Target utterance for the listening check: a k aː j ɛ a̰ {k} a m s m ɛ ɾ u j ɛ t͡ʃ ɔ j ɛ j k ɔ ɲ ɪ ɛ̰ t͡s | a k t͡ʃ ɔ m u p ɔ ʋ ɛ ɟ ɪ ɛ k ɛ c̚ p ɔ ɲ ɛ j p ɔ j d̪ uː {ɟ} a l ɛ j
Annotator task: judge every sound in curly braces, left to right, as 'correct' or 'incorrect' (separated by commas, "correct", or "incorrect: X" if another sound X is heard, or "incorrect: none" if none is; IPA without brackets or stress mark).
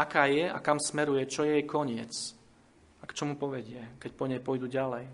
correct, correct